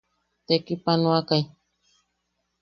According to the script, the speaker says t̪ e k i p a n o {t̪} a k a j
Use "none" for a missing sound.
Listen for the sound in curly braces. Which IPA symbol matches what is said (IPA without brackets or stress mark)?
none